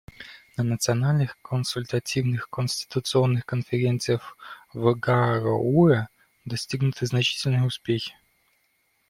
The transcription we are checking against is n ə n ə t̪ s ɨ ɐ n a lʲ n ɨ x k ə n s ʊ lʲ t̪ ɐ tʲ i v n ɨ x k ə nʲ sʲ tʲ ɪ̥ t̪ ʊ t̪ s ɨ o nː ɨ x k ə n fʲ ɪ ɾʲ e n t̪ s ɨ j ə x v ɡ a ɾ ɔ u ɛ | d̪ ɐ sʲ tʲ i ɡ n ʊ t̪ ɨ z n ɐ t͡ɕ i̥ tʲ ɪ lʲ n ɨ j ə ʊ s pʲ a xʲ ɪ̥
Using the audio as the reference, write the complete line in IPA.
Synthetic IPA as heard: n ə n ə t̪ s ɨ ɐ n a lʲ n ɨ x k ə n s ʊ lʲ t̪ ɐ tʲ i v n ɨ x k ə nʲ sʲ tʲ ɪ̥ t̪ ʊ t̪ s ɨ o nː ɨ x k ə n fʲ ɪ ɾʲ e n t̪ s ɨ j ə x v ɡ a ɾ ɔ u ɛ | d̪ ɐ sʲ tʲ i ɡ n ʊ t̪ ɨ z n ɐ t͡ɕ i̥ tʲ ɪ lʲ n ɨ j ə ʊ s pʲ e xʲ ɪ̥

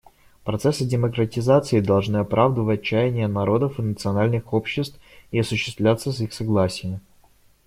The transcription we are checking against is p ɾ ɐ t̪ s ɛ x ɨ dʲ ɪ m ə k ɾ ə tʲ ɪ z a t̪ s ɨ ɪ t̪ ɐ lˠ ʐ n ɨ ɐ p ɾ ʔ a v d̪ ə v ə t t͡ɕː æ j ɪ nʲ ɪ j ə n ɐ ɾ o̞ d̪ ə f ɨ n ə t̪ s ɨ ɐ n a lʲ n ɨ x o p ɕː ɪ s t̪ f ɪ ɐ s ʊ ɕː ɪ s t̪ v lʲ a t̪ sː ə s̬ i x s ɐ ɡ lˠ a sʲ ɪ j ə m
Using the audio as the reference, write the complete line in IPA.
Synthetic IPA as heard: p ɾ ɐ t̪ s ɛ s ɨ dʲ ɪ m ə k ɾ ə tʲ ɪ z a t̪ s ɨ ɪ d̪ ɐ lˠ ʐ n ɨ ɐ p ɾ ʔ a v d̪ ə v ə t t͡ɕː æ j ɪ nʲ ɪ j ə n ɐ ɾ o̞ d̪ ə f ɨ n ə t̪ s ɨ ɐ n a lʲ n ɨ x o p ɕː ɪ s t̪ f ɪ ɐ s ʊ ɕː ɪ s t̪ v lʲ a t̪ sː ə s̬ i x s ɐ ɡ lˠ a sʲ ɪ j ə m

